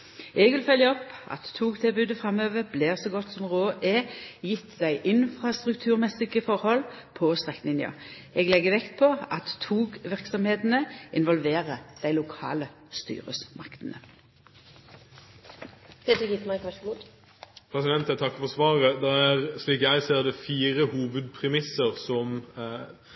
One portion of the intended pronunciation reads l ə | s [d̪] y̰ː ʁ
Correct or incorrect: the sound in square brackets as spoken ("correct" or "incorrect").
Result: incorrect